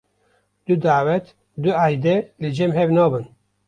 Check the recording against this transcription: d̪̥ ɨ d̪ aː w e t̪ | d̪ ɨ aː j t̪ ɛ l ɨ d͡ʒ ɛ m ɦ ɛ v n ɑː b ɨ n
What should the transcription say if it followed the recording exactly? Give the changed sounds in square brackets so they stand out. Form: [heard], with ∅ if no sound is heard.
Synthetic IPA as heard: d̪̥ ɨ d̪ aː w [ɛ] t̪ | d̪ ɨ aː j [d̪] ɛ l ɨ d͡ʒ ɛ m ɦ ɛ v n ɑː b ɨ n